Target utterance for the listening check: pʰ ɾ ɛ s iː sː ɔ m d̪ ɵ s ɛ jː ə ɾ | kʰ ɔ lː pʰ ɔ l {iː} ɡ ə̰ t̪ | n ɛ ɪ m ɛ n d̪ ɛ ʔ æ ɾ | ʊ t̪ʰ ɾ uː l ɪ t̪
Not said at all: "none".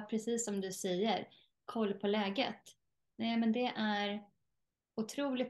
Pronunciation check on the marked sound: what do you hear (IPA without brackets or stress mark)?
ɛː